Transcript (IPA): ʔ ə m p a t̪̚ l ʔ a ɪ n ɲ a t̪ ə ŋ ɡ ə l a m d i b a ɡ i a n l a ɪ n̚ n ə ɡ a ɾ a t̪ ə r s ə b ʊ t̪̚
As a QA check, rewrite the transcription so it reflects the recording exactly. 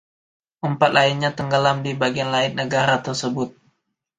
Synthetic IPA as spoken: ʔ ə m p a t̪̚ l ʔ a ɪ n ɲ a t̪ ə ŋ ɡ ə l a m d i b a ɡ i a n l a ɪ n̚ n ə ɡ a ɾ a t̪ ə r s ə b ʊ t̪̚